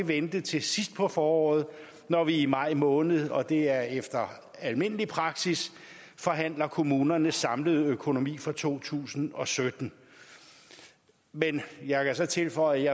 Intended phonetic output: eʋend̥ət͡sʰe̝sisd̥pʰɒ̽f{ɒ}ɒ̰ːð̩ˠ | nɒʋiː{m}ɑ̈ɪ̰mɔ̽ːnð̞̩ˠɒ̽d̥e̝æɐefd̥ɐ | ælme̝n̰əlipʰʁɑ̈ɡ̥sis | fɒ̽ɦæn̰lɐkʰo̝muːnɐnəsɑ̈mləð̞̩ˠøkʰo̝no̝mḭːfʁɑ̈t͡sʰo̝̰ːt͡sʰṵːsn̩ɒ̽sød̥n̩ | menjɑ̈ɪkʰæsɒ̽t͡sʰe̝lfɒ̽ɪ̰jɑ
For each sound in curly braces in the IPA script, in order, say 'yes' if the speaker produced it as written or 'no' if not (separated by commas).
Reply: no, yes